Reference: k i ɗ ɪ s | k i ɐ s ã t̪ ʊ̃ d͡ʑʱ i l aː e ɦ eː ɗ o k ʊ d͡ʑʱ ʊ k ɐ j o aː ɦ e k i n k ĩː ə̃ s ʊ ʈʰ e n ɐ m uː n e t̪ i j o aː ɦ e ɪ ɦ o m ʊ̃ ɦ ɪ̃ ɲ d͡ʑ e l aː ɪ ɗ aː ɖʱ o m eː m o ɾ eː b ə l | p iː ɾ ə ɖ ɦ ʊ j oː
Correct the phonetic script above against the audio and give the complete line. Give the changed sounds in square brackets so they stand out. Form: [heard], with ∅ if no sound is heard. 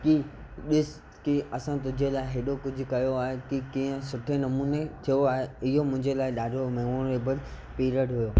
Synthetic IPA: k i ɗ ɪ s | k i ɐ s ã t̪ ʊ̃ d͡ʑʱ [e] l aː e ɦ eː ɗ o k ʊ d͡ʑʱ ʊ k ɐ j o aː ɦ e k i [∅] k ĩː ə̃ s ʊ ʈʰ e n ɐ m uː n e [t̪ʰ] i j o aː ɦ e ɪ ɦ o m ʊ̃ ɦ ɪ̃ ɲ d͡ʑ e l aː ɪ ɗ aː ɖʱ o m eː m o ɾ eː b ə l | p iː ɾ ə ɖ ɦ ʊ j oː

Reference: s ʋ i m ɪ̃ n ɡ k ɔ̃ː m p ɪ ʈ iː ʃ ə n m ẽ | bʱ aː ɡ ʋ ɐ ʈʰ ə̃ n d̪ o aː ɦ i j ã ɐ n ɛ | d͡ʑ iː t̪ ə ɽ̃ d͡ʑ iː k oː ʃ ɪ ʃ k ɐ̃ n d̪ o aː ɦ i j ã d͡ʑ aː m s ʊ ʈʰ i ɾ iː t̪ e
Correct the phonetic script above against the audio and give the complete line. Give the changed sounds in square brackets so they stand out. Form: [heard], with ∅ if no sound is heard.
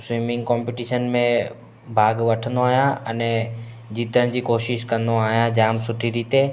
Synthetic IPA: s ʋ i m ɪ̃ [ŋ] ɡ k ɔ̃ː m p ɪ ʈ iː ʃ ə n m ẽ | bʱ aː ɡ ʋ ɐ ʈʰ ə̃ n d̪ o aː ɦ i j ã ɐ n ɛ | d͡ʑ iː t̪ ə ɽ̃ d͡ʑ iː k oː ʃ ɪ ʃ k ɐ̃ n d̪ o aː ɦ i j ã d͡ʑ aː m s ʊ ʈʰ i ɾ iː t̪ e

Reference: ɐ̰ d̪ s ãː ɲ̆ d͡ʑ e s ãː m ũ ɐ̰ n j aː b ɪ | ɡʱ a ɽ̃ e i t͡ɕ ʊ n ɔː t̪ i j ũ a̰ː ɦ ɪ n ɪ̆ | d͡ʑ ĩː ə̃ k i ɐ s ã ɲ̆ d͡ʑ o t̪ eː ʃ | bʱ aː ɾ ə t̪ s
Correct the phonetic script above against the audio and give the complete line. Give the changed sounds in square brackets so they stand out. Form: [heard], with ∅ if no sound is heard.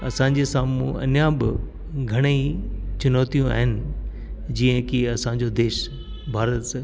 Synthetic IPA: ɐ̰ [∅] s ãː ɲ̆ d͡ʑ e s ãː m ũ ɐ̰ n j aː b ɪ | ɡʱ [ɐ] ɽ̃ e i t͡ɕ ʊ n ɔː t̪ i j ũ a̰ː ɦ ɪ n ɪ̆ | d͡ʑ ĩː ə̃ k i ɐ s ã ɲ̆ d͡ʑ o [d̪] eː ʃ | bʱ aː ɾ ə t̪ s

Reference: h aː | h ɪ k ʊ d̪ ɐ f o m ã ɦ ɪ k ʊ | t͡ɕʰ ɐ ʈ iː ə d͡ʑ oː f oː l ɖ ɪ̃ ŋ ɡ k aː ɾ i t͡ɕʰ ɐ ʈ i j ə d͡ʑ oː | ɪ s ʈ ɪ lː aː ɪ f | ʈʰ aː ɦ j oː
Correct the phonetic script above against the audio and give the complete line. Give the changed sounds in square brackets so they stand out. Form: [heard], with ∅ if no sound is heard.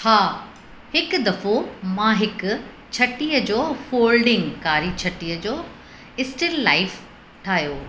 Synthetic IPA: h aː | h ɪ k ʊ d̪ ɐ f o m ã ɦ ɪ k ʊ | t͡ɕʰ ɐ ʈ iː ə d͡ʑ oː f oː l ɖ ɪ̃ ŋ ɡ k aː ɾ i t͡ɕʰ ɐ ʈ i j ə d͡ʑ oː | ɪ s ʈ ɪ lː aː ɪ f | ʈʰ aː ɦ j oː

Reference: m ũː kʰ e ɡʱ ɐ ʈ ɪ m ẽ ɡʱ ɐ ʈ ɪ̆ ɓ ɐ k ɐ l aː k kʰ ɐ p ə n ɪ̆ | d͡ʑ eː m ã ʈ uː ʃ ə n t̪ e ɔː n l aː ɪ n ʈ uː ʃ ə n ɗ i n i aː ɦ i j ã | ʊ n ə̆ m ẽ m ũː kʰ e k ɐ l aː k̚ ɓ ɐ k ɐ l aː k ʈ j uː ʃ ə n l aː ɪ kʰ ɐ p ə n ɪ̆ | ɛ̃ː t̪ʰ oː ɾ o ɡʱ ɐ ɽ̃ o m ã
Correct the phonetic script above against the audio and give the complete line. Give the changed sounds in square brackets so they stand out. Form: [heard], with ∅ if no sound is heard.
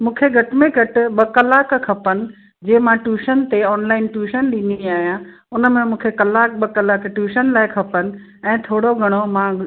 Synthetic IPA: m ũː kʰ e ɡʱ ɐ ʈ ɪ m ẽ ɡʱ ɐ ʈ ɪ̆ ɓ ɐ k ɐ l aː k kʰ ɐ p ə n ɪ̆ | d͡ʑ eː m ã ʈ uː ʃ ə n t̪ e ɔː n l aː ɪ n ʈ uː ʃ ə n ɗ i n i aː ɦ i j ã | ʊ n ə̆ m ẽ m ũː kʰ e k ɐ l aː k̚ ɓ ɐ k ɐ l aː k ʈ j uː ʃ ə n l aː ɪ kʰ ɐ p ə n ɪ̆ | ɛ̃ː t̪ʰ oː [ɽ] o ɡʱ ɐ ɽ̃ o m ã

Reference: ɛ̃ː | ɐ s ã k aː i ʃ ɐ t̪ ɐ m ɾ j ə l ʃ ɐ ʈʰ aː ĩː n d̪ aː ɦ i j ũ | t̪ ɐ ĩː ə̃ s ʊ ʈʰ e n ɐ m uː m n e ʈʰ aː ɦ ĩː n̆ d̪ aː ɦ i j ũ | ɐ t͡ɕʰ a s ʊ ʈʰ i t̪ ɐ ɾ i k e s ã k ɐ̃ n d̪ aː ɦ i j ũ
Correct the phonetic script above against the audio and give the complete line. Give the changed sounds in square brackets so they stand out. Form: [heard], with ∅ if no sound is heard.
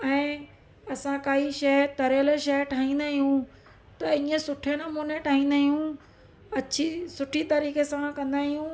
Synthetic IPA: ɛ̃ː | ɐ s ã k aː i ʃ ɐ t̪ ɐ [∅] ɾ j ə l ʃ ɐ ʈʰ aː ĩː n d̪ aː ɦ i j ũ | t̪ ɐ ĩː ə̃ s ʊ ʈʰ e n ɐ m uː [∅] n e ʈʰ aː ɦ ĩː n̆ d̪ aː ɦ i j ũ | ɐ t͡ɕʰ [i] s ʊ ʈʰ i t̪ ɐ ɾ [iː] k e s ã k ɐ̃ n d̪ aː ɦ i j ũ

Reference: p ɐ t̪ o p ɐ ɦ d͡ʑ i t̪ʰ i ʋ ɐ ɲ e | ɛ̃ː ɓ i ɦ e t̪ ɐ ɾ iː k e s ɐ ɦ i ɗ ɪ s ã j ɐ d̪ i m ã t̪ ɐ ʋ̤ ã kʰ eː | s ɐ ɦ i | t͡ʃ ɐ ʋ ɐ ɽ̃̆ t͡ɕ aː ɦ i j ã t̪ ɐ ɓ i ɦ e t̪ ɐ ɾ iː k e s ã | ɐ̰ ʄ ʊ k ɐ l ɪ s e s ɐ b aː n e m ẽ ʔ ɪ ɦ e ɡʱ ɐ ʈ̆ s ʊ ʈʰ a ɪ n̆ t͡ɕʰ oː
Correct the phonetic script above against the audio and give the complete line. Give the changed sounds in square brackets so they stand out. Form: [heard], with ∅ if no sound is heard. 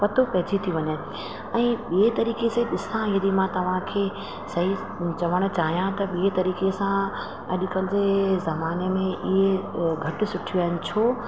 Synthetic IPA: p ɐ t̪ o p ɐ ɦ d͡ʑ i t̪ʰ i ʋ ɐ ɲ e | ɛ̃ː ɓ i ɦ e t̪ ɐ ɾ iː k e s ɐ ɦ i ɗ ɪ s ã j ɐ d̪ i m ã t̪ ɐ ʋ̤ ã kʰ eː | s ɐ ɦ i | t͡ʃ ɐ ʋ [ə] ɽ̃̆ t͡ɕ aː ɦ i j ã t̪ ɐ ɓ i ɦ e t̪ ɐ ɾ iː k e s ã | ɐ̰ ʄ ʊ k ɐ l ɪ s e [z] ɐ [m] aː n e m ẽ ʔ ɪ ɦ e ɡʱ ɐ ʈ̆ s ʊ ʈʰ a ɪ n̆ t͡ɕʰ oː

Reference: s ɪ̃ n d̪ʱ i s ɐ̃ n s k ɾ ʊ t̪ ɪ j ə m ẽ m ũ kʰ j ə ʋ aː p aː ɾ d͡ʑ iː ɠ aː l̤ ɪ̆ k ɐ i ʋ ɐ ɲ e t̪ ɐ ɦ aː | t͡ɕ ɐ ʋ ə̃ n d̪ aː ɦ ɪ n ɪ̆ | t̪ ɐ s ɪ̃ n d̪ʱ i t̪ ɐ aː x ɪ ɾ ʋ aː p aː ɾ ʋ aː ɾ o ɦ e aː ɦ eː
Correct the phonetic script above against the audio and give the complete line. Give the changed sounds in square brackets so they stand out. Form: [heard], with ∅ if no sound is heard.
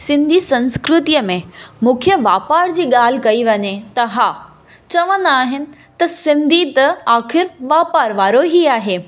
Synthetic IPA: s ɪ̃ n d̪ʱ i s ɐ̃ n s k ɾ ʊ t̪ [i] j ə m ẽ m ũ kʰ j ə ʋ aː p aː ɾ d͡ʑ iː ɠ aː l̤ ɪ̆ k ɐ i ʋ ɐ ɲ e t̪ ɐ ɦ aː | t͡ɕ ɐ ʋ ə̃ n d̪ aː ɦ ɪ n ɪ̆ | t̪ ɐ s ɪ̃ n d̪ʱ i t̪ ɐ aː x ɪ ɾ ʋ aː p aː ɾ ʋ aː ɾ o ɦ [i] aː ɦ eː

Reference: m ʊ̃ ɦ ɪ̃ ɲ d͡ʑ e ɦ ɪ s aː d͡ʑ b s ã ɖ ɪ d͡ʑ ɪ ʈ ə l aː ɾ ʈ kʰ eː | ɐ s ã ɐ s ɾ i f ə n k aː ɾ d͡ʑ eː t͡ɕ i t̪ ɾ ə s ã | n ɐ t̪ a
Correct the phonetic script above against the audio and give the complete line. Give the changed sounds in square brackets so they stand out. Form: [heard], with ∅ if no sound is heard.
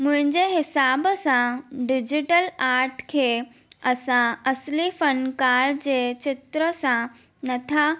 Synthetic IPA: m ʊ̃ ɦ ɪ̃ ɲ d͡ʑ e ɦ ɪ s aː [∅] b s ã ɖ ɪ d͡ʑ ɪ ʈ ə l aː ɾ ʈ kʰ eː | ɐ s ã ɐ s [l] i f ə n k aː ɾ d͡ʑ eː t͡ɕ [ɪ] t̪ ɾ ə s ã | n ɐ [t̪ʰ] a

